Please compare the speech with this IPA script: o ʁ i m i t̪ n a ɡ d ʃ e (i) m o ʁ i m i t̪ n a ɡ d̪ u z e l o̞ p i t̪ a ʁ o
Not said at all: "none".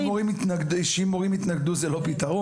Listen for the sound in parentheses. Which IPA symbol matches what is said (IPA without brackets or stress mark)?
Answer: i